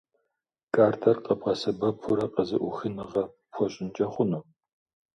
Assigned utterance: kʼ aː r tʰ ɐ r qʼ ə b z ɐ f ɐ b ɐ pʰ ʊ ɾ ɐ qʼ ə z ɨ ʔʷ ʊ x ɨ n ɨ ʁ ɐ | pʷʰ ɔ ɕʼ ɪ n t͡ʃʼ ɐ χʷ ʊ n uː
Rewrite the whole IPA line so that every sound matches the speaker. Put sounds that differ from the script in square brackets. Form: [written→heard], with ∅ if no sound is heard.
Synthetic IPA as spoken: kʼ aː r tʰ ɐ r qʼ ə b [z→ʁ] ɐ [f→s] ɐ b ɐ pʰ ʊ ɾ ɐ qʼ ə z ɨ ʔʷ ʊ x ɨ n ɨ ʁ ɐ | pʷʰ ɔ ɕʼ ɪ n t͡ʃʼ ɐ χʷ ʊ n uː

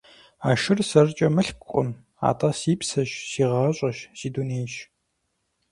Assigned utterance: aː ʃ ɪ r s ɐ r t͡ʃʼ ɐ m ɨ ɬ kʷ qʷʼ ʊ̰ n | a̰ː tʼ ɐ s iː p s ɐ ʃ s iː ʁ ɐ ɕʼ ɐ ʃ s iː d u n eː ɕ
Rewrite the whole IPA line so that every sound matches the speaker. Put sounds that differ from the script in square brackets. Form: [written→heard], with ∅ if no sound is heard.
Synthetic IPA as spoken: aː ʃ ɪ r s ɐ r t͡ʃʼ ɐ m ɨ ɬ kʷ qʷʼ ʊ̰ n | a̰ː tʼ ɐ s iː p s ɐ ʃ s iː ʁ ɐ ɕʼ ɐ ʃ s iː d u n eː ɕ

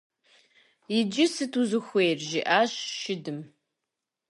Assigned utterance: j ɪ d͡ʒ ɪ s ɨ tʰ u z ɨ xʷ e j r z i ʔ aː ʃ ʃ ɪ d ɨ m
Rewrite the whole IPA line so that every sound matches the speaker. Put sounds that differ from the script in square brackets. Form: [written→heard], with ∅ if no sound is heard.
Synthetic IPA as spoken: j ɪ d͡ʒ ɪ s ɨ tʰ u z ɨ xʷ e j r [z→ʒ] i ʔ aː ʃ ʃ ɪ d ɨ m

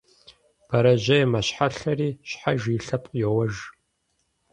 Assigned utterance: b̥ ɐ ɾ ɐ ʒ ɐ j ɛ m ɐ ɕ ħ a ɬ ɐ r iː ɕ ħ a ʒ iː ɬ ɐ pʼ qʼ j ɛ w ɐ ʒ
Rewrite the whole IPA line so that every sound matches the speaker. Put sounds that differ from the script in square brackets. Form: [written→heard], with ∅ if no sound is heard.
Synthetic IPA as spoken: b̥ ɐ ɾ ɐ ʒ ɐ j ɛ m ɐ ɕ ħ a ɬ ɐ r iː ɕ ħ a ʒ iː ɬ ɐ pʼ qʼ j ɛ w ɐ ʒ

